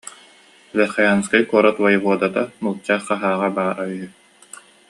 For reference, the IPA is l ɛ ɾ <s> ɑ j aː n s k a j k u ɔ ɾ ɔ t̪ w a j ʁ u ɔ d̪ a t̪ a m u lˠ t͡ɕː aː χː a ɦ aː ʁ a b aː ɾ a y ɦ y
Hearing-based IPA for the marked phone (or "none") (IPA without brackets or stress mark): χ